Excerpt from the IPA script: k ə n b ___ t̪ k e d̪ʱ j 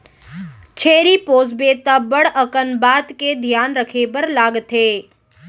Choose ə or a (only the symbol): a